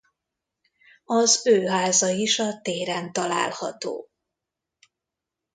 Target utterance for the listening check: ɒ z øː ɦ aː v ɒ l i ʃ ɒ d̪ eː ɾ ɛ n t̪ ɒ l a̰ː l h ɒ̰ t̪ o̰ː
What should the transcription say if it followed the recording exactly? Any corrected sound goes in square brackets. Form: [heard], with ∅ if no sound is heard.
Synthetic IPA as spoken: ɒ z øː ɦ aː [z] ɒ [∅] i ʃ ɒ [t̪] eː ɾ ɛ n t̪ ɒ l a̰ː l h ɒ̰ t̪ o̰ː